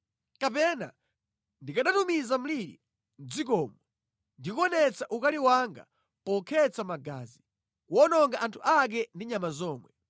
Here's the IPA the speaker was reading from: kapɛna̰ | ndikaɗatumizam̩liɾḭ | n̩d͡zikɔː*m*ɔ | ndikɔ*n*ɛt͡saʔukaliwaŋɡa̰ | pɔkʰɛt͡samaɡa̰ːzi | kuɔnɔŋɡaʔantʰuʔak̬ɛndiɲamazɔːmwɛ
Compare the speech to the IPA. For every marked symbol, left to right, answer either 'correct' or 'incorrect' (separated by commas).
correct, correct